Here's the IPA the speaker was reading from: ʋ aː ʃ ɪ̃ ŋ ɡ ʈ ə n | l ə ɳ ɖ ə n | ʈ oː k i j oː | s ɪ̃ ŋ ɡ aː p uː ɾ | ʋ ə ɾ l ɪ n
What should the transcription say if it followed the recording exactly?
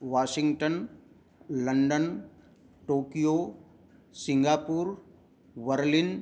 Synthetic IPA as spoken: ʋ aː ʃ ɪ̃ ŋ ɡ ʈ ə n | l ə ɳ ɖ ə n | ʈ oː k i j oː | s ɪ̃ ŋ ɡ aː p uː ɾ | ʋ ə ɾ l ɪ n

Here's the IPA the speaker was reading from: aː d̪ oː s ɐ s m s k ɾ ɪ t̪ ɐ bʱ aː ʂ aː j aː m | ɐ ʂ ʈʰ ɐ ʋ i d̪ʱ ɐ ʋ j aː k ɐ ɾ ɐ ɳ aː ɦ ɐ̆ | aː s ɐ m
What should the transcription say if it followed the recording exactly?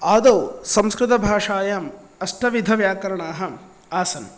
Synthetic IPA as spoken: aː d̪ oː s ɐ m s k ɾ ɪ t̪ ɐ bʱ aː ʂ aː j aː m | ɐ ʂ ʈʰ ɐ ʋ i d̪ʱ ɐ ʋ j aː k ɐ ɾ ɐ ɳ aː ɦ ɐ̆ | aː s ɐ n

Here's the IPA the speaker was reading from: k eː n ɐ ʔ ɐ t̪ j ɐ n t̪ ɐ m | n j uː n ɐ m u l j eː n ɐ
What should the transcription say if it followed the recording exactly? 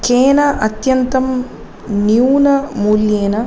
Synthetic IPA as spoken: k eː n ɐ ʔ ɐ t̪ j ɐ n t̪ ɐ m | n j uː n ɐ m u l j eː n ɐ

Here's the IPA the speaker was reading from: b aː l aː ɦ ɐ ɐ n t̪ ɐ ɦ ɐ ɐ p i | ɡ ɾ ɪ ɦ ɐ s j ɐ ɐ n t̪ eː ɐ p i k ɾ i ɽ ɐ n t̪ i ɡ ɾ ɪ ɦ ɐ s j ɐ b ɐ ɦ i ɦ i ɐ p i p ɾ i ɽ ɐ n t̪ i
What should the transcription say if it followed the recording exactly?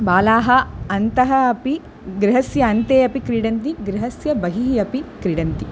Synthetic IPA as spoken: b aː l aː ɦ ɐ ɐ n t̪ ɐ ɦ ɐ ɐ p i | ɡ ɾ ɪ ɦ ɐ s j ɐ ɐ n t̪ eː ɐ p i k ɾ i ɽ ɐ n t̪ i ɡ ɾ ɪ ɦ ɐ s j ɐ b ɐ ɦ i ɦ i ɐ p i k ɾ i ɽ ɐ n t̪ i

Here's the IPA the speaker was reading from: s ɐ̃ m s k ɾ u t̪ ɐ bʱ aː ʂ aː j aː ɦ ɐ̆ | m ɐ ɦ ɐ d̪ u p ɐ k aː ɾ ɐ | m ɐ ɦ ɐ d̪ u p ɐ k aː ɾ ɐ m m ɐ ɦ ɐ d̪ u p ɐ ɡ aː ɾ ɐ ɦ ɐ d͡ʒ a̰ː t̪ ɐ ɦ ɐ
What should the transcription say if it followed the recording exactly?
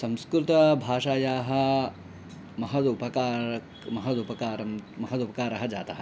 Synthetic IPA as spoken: s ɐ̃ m s k ɾ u t̪ ɐ bʱ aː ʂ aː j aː ɦ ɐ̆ | m ɐ ɦ ɐ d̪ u p ɐ k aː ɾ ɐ | m ɐ ɦ ɐ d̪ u p ɐ k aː ɾ ɐ m m ɐ ɦ ɐ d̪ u p ɐ k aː ɾ ɐ ɦ ɐ d͡ʒ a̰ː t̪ ɐ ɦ ɐ

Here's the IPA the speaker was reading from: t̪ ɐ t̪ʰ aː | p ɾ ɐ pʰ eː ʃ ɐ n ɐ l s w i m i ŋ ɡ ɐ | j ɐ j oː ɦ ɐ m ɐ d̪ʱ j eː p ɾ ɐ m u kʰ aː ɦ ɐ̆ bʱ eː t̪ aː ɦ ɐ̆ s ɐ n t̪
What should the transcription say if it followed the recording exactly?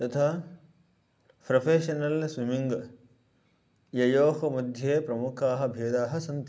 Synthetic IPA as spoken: t̪ ɐ t̪ʰ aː | p ɾ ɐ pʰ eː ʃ ɐ n ɐ l s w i m i ŋ ɡ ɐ | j ɐ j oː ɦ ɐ m ɐ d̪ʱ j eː p ɾ ɐ m u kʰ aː ɦ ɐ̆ bʱ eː d̪ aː ɦ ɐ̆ s ɐ n t̪

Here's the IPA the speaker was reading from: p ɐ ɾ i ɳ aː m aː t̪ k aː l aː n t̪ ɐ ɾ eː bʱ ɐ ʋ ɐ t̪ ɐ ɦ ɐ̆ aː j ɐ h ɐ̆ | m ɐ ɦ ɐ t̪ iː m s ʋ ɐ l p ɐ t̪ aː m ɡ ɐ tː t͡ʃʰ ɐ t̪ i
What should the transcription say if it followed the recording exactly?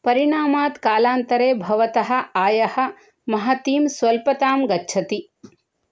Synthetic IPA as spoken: p ɐ ɾ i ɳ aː m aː t̪ k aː l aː n t̪ ɐ ɾ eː bʱ ɐ ʋ ɐ t̪ ɐ ɦ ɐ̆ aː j ɐ h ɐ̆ | m ɐ ɦ ɐ t̪ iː m s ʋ ɐ l p ɐ t̪ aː m ɡ ɐ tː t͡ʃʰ ɐ t̪ i

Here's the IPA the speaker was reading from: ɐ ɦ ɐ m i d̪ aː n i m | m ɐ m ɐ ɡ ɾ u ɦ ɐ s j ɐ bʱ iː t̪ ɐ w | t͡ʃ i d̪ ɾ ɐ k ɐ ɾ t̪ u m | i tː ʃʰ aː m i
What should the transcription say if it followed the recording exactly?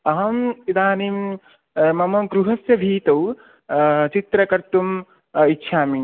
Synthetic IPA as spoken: ɐ ɦ ɐ m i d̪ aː n i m | m ɐ m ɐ ɡ ɾ u ɦ ɐ s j ɐ bʱ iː t̪ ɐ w | t͡ʃ i t̪ ɾ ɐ k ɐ ɾ t̪ u m | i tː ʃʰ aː m i

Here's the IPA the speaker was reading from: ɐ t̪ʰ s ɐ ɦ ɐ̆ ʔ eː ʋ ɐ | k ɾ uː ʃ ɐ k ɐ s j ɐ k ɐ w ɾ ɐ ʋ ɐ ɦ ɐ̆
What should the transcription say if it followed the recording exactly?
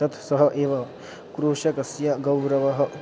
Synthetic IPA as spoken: ɐ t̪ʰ s ɐ ɦ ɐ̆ ʔ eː ʋ ɐ | k ɾ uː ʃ ɐ k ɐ s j ɐ ɡ ɐ w ɾ ɐ ʋ ɐ ɦ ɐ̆

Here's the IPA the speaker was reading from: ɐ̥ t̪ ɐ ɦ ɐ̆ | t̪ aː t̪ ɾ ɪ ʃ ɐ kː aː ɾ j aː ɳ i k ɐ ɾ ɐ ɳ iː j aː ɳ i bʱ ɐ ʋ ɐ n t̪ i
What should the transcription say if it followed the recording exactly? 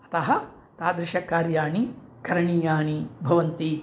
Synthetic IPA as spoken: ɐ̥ t̪ ɐ ɦ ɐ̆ | t̪ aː d̪ ɾ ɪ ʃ ɐ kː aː ɾ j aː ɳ i k ɐ ɾ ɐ ɳ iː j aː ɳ i bʱ ɐ ʋ ɐ n t̪ i

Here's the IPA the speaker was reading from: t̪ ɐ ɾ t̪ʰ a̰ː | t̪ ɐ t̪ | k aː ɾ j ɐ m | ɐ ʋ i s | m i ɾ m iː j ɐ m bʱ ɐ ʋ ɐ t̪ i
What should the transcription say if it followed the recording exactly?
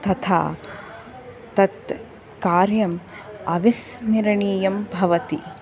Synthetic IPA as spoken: t̪ ɐ t̪ʰ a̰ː | t̪ ɐ t̪ | k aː ɾ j ɐ m | ɐ ʋ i s | n i ɾ ɳ iː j ɐ m bʱ ɐ ʋ ɐ t̪ i

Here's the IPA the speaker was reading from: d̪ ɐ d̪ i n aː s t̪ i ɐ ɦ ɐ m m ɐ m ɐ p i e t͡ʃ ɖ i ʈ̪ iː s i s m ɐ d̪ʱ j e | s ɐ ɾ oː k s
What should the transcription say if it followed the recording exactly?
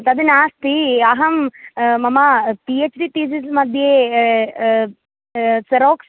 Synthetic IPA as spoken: t̪ ɐ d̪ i n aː s t̪ i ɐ ɦ ɐ m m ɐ m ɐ p i e t͡ʃ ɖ i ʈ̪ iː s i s m ɐ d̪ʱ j e | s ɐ ɾ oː k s

